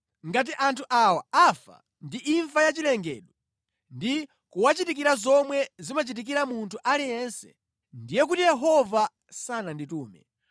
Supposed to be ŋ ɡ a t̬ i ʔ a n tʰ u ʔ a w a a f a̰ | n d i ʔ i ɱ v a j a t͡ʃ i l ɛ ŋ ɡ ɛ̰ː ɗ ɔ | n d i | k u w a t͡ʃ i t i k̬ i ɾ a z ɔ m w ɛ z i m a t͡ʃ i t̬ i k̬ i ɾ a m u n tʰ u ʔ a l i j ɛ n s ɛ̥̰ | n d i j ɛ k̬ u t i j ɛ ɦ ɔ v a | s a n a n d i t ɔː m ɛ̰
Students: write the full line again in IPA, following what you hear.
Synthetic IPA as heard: ŋ ɡ a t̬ i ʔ a n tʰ u ʔ a w a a f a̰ | n d i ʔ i ɱ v a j a t͡ʃ i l ɛ ŋ ɡ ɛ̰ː ɗ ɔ | n d i | k u w a t͡ʃ i t i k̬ i ɾ a z ɔ m w ɛ z i m a t͡ʃ i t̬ i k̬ i ɾ a m u n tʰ u ʔ a l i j ɛ n s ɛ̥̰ | n d i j ɛ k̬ u t i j ɛ ɦ ɔ v a | s a n a n d i t uː m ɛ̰

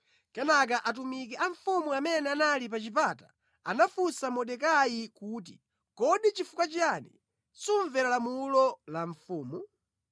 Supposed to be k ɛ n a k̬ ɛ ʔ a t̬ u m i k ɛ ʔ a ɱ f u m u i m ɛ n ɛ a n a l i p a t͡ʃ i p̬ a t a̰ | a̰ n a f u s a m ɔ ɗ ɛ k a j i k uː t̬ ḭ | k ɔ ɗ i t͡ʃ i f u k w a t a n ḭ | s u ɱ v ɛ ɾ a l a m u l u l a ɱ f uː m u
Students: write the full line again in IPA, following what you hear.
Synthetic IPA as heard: k ɛ n a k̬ a ʔ a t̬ u m i k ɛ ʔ a ɱ f u m u a m ɛ n ɛ a n a l i p a t͡ʃ i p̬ a t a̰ | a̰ n a f u s a m ɔ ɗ ɛ k a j i k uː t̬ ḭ | k ɔ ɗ i t͡ʃ i f u k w a t͡ʃ a n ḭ | s u ɱ v ɛ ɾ a l a m u l ɔ l a ɱ f uː m u

